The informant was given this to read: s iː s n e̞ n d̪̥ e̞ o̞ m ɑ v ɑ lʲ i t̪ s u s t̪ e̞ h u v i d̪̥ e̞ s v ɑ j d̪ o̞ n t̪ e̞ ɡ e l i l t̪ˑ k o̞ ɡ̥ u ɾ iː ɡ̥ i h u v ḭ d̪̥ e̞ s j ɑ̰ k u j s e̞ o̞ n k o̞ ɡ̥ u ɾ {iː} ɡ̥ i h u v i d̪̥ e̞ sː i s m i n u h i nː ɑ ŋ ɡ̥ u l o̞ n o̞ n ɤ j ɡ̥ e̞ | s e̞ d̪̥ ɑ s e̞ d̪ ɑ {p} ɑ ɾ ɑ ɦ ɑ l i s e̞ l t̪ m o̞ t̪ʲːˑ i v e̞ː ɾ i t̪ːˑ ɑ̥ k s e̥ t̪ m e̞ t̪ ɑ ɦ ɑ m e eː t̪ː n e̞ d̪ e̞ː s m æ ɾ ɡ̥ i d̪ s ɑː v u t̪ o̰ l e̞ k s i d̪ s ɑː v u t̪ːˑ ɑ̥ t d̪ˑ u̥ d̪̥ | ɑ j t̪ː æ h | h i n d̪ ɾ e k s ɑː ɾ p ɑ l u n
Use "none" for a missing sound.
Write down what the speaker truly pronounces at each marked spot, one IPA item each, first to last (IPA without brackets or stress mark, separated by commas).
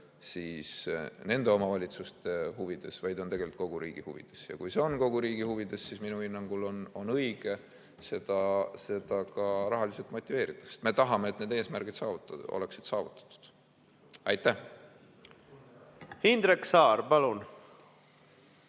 iː, k